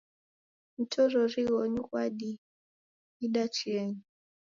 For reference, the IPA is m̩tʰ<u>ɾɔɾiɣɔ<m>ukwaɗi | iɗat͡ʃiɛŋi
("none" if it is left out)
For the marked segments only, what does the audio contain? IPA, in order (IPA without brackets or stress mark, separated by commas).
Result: ɔ, ɲ